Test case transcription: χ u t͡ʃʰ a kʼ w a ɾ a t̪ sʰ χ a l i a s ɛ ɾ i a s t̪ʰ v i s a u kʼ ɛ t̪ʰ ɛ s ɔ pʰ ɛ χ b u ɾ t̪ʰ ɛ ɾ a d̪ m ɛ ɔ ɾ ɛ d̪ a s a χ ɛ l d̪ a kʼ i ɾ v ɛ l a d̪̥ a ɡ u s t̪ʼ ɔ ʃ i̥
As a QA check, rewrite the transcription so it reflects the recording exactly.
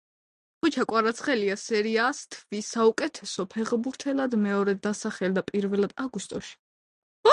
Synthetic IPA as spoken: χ u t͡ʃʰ a kʼ w a ɾ a t̪ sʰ χ ɛ l i a s ɛ ɾ i a s t̪ʰ v i s a u kʼ ɛ t̪ʰ ɛ s ɔ pʰ ɛ ʁ b u ɾ t̪ʰ ɛ l a d̪ m ɛ ɔ ɾ ɛ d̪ a s a χ ɛ l d̪ a pʼ i ɾ v ɛ l a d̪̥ a ɡ u s t̪ʼ ɔ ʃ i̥

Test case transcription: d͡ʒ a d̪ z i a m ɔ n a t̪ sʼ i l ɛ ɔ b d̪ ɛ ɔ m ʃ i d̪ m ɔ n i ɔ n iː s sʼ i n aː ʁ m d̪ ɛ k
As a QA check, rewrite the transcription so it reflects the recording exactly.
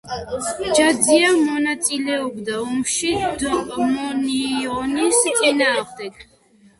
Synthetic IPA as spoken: d͡ʒ a d̪ z i a m ɔ n a t̪ sʼ i l ɛ ɔ b d̪ a ɔ m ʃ i d̪ m ɔ n i ɔ n i s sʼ i n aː ʁ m d̪ ɛ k

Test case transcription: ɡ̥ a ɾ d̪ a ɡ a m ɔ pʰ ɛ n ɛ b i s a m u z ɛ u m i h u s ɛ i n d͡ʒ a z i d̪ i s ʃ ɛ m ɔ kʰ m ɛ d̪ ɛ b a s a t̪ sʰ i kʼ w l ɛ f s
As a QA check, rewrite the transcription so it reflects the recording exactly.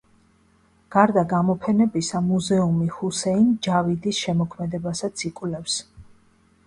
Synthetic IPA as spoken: ɡ̥ a ɾ d̪ a ɡ a m ɔ pʰ ɛ n ɛ b i s a m u z ɛ u m i h u s ɛ i n d͡ʒ a v i d̪ i s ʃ ɛ m ɔ kʰ m ɛ d̪ ɛ b a s a t̪ sʰ i kʼ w l ɛ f s

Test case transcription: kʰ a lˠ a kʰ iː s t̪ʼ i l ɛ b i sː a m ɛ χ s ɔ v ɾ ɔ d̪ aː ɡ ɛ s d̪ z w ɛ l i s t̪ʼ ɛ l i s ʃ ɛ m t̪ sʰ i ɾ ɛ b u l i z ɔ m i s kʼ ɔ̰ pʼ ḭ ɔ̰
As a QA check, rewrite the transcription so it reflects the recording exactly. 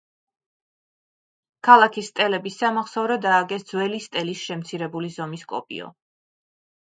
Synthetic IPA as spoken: kʰ a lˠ a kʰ i s t̪ʼ ɛ l ɛ b i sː a m a χ s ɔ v ɾ ɔ d̪ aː ɡ ɛ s d̪ z w ɛ l i s t̪ʼ ɛ l i s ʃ ɛ m t̪ sʰ i ɾ ɛ b u l i z ɔ m i s kʼ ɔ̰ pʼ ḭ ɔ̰

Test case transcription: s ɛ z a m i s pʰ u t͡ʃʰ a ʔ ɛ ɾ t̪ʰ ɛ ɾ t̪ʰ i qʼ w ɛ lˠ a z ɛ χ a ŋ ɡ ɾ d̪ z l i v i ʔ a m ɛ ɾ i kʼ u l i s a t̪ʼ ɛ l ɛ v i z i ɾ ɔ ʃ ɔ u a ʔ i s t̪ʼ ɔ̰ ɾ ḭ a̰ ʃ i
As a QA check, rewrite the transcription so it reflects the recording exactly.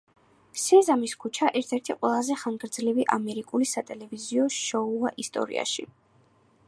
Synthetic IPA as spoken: s ɛ z a m i s kʰ u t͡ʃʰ a ʔ ɛ ɾ t̪ʰ ɛ ɾ t̪ʰ i qʼ w ɛ lˠ a z ɛ χ a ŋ ɡ ɾ d̪ z l i v i ʔ a m ɛ ɾ i kʼ u l i s a t̪ʼ ɛ l ɛ v i z i ɔ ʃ ɔ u a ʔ i s t̪ʼ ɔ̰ ɾ ḭ a̰ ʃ i

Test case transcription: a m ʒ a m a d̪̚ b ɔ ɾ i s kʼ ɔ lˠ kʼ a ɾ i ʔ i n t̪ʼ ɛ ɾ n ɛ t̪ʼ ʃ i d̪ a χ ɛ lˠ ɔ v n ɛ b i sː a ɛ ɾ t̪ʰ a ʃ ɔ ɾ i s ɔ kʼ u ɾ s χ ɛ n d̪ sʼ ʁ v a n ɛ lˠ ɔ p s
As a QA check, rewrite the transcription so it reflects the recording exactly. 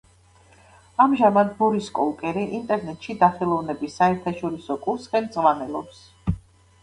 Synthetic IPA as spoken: a m ʒ a m a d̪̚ b ɔ ɾ i s kʼ ɔ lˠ kʼ ɛ ɾ i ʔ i n t̪ʼ ɛ ɾ n ɛ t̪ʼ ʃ i d̪ a χ ɛ lˠ ɔ v n ɛ b i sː a ɛ ɾ t̪ʰ a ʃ ɔ ɾ i s ɔ kʼ u ɾ s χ ɛ n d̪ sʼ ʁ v a n ɛ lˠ ɔ p s

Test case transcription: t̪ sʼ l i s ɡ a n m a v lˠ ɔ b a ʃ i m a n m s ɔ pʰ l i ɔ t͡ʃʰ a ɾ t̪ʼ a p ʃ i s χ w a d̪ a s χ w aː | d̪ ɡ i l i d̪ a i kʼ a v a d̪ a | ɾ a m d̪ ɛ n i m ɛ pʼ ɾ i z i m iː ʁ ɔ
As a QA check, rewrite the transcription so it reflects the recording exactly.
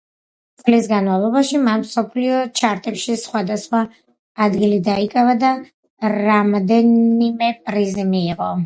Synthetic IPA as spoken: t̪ sʼ l i s ɡ a n m a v lˠ ɔ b a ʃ i m a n m s ɔ pʰ l i ɔ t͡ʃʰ a ɾ t̪ʼ ɛ p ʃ i s χ w a d̪ a s χ w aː | d̪ ɡ i l i d̪ a i kʼ a v a d̪ a | ɾ a m d̪ ɛ n i m ɛ pʼ ɾ i z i m iː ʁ ɔ

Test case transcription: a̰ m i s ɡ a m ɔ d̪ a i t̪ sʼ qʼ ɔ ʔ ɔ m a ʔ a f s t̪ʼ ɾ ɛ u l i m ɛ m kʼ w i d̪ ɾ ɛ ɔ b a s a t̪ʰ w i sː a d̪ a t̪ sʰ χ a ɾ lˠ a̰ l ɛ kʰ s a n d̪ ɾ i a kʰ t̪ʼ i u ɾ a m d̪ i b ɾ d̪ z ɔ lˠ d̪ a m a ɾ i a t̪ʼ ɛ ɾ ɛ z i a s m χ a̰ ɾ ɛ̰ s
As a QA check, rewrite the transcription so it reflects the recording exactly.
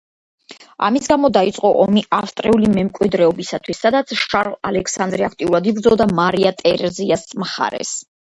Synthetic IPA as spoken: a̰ m i s ɡ a m ɔ d̪ a i t̪ sʼ qʼ ɔ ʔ ɔ m i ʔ a f s t̪ʼ ɾ ɛ u l i m ɛ m kʼ w i d̪ ɾ ɛ ɔ b i s a t̪ʰ w i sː a d̪ a t̪ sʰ ʃ a ɾ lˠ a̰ l ɛ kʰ s a n d̪ ɾ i a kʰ t̪ʼ i u ɾ a d̪ i b ɾ d̪ z ɔ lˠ d̪ a m a ɾ i a t̪ʼ ɛ ɾ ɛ z i a s m χ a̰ ɾ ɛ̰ s

